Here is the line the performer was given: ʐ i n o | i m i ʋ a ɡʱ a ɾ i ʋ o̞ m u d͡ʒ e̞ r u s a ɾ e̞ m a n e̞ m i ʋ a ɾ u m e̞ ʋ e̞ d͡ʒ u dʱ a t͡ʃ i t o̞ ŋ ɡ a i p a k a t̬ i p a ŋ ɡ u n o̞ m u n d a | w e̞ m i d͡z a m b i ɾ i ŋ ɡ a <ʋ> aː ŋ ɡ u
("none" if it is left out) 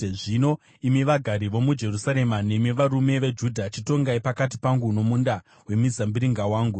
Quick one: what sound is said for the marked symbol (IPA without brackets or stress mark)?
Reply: w